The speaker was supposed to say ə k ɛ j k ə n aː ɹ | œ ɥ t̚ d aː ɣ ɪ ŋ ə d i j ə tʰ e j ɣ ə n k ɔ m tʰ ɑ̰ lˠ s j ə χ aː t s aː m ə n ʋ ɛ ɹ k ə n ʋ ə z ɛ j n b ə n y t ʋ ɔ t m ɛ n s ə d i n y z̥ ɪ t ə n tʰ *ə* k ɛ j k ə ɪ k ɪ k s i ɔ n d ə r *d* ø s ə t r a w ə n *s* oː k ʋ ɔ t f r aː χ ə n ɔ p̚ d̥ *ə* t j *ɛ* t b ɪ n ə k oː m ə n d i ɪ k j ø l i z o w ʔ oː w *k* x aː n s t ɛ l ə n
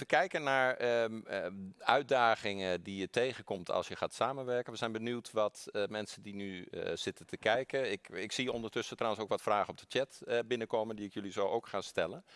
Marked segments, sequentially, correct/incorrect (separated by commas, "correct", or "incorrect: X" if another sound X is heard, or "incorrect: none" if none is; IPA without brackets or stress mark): correct, incorrect: t, correct, correct, correct, correct